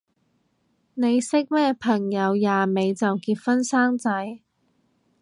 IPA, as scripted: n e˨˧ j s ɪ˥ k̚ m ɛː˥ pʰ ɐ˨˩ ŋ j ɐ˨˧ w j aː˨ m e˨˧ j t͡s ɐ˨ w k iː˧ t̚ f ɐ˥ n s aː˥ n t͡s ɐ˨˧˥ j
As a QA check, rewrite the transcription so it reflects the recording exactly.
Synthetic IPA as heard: n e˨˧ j s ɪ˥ k̚ m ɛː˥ pʰ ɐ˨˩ ŋ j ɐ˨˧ w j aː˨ m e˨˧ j t͡s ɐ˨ w k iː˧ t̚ f ɐ˥ n s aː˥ ŋ t͡s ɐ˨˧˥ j